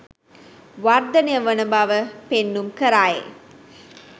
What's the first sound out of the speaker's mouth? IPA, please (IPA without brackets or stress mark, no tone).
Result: ʋ